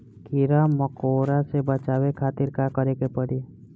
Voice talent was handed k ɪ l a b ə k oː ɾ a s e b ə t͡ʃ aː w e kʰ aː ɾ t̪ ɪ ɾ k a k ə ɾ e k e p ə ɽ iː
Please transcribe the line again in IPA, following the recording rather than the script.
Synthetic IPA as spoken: k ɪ ɾ a m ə k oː ɾ a s e b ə t͡ʃ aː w e kʰ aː t̪ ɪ ɾ k a k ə ɾ e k e p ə ɽ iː